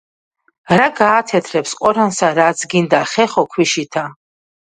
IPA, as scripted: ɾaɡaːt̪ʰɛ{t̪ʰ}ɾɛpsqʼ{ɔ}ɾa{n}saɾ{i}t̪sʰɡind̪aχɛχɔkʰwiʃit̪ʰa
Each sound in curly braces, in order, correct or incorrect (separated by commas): correct, correct, correct, incorrect